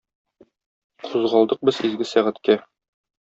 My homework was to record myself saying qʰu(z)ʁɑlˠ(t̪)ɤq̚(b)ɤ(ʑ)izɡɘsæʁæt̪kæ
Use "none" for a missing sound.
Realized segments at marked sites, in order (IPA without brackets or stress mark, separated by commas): z, d̪, b, z